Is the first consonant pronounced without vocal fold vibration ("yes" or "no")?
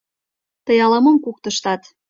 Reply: yes